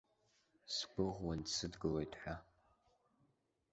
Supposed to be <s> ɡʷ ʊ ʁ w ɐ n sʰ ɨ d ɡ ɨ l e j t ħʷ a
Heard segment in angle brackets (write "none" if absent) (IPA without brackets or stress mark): s